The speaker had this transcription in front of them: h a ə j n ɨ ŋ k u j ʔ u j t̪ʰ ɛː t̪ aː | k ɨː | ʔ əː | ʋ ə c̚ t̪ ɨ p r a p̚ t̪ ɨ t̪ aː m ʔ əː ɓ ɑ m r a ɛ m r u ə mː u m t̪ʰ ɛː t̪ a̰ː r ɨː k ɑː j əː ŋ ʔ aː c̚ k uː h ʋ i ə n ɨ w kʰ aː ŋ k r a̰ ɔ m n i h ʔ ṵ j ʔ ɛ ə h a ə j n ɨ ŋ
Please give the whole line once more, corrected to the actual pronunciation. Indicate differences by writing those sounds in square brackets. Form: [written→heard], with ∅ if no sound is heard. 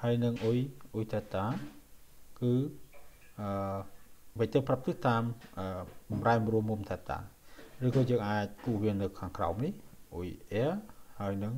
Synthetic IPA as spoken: h a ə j n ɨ ŋ [k→ʔ] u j ʔ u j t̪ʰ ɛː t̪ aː | k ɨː | ʔ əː | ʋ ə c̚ t̪ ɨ p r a p̚ t̪ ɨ t̪ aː m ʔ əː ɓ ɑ m r a ɛ m r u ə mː u m t̪ʰ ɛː t̪ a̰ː r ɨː k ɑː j əː ŋ ʔ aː c̚ k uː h ʋ i ə n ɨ w kʰ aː ŋ k r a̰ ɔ m n i h ʔ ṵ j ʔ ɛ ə h a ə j n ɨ ŋ